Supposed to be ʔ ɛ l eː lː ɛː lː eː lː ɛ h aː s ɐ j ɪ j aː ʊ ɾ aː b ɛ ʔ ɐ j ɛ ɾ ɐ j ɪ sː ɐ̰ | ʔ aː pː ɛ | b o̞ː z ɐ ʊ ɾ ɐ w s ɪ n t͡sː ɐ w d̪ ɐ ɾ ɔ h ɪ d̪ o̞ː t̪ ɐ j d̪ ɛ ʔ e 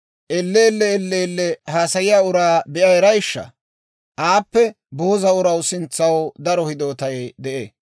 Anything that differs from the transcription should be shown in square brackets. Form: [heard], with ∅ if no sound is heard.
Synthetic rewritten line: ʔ ɛ [lː] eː lː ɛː lː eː lː ɛ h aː s ɐ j ɪ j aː ʊ ɾ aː b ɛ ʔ ɐ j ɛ ɾ ɐ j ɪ [ʃː] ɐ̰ | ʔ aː pː ɛ | b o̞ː z ɐ ʊ ɾ ɐ w s ɪ n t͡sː ɐ w d̪ ɐ ɾ ɔ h ɪ d̪ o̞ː t̪ ɐ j d̪ ɛ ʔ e

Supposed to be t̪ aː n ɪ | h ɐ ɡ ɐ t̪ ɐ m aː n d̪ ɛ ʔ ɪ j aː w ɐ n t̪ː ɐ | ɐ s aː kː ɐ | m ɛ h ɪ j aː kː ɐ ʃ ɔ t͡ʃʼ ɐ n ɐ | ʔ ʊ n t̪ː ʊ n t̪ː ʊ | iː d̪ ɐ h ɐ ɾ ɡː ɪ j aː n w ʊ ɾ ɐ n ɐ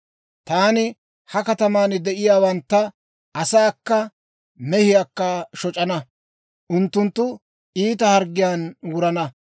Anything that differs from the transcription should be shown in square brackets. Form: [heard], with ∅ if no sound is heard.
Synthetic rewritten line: t̪ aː n ɪ | h ɐ [k] ɐ t̪ ɐ m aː n d̪ ɛ ʔ ɪ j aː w ɐ n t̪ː ɐ | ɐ s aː kː ɐ | m ɛ h ɪ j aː kː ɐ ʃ ɔ t͡ʃʼ ɐ n ɐ | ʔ ʊ n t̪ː ʊ n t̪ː ʊ | iː [t̪] ɐ h ɐ ɾ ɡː ɪ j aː n w ʊ ɾ ɐ n ɐ

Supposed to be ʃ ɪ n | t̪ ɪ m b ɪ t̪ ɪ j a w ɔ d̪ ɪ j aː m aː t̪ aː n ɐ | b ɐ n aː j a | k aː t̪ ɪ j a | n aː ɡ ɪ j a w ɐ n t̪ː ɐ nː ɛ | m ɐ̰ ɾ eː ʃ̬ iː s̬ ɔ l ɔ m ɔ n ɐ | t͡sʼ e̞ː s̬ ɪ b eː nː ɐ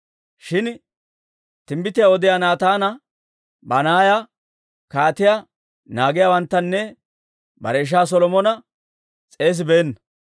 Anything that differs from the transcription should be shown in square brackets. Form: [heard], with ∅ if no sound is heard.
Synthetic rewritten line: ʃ ɪ n | t̪ ɪ m b ɪ t̪ ɪ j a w ɔ d̪ ɪ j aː [n] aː t̪ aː n ɐ | b ɐ n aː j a | k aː t̪ ɪ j a | n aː ɡ ɪ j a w ɐ n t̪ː ɐ nː ɛ | [b] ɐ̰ ɾ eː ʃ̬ [aː] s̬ ɔ l ɔ m ɔ n ɐ | t͡sʼ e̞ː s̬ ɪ b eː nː ɐ

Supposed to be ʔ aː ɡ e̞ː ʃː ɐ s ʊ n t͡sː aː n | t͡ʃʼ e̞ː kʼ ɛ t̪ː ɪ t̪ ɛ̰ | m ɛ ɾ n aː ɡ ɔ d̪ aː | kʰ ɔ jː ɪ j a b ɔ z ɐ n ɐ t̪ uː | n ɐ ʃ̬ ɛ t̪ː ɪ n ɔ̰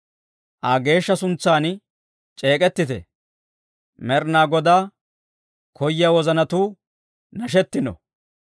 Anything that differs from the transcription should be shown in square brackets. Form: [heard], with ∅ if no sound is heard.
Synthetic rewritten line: ʔ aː ɡ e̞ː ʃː ɐ s ʊ n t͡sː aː n | t͡ʃʼ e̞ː kʼ ɛ t̪ː ɪ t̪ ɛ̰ | m ɛ ɾ n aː ɡ ɔ d̪ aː | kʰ ɔ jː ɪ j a [w] ɔ z ɐ n ɐ t̪ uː | n ɐ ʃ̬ ɛ t̪ː ɪ n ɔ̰

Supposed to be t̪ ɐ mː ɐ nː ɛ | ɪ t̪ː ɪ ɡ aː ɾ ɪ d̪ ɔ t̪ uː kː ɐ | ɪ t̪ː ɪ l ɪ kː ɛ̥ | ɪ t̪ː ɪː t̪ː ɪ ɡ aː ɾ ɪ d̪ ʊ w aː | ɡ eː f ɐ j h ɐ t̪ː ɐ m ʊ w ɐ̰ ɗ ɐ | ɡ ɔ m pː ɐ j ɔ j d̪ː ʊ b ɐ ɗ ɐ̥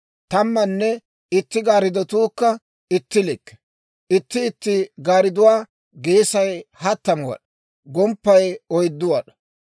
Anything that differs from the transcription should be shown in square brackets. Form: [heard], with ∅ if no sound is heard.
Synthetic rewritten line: t̪ ɐ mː ɐ nː ɛ | ɪ t̪ː ɪ ɡ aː ɾ ɪ d̪ ɔ t̪ uː kː ɐ | ɪ t̪ː ɪ l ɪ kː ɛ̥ | ɪ t̪ː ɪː t̪ː ɪ ɡ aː ɾ ɪ d̪ ʊ w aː | ɡ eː [s] ɐ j h ɐ t̪ː ɐ m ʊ w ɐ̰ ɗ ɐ | ɡ ɔ m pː ɐ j ɔ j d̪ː ʊ [w] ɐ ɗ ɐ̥

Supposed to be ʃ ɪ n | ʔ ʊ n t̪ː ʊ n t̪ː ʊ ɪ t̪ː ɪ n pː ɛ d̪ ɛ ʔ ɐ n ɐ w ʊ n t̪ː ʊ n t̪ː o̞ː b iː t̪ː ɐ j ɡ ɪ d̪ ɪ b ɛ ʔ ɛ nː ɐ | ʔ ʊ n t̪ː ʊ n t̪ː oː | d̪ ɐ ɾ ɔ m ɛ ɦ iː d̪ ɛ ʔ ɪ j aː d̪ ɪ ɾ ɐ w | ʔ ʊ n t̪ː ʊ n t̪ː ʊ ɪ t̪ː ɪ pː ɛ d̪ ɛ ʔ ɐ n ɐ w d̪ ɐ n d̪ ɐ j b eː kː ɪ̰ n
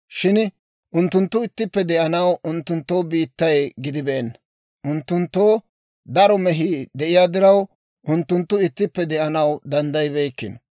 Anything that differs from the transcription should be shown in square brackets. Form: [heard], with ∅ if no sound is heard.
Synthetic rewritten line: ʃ ɪ n | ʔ ʊ n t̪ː ʊ n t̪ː ʊ ɪ t̪ː ɪ [∅] pː ɛ d̪ ɛ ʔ ɐ n ɐ w ʊ n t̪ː ʊ n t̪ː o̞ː b iː t̪ː ɐ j ɡ ɪ d̪ ɪ b ɛ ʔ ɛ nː ɐ | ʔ ʊ n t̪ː ʊ n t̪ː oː | d̪ ɐ ɾ ɔ m ɛ ɦ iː d̪ ɛ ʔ ɪ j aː d̪ ɪ ɾ ɐ w | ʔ ʊ n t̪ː ʊ n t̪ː ʊ ɪ t̪ː ɪ pː ɛ d̪ ɛ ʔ ɐ n ɐ w d̪ ɐ n d̪ ɐ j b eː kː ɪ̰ n

